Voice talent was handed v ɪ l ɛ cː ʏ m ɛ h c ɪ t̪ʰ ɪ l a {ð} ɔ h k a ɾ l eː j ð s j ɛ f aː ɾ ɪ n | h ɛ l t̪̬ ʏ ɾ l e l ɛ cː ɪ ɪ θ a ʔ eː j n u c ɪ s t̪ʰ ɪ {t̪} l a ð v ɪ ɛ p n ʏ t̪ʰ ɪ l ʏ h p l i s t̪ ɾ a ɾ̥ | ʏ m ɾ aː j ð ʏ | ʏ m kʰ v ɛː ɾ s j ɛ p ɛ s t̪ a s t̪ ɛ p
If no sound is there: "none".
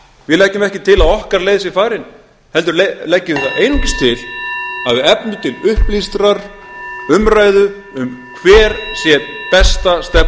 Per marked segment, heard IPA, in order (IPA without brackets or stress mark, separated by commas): ð, none